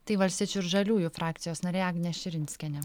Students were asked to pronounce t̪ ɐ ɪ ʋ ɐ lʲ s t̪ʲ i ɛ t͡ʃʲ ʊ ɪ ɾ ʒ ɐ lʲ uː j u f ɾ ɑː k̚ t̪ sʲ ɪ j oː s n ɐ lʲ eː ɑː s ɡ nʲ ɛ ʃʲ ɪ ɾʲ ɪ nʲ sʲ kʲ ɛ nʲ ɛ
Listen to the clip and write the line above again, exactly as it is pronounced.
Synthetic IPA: t̪ ɐ ɪ ʋ ɐ lʲ s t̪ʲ i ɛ t͡ʃʲ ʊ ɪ ɾ ʒ ɐ lʲ uː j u f ɾ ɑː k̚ t̪ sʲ ɪ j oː s n ɐ ɾʲ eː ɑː ɡ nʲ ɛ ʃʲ ɪ ɾʲ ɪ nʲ sʲ kʲ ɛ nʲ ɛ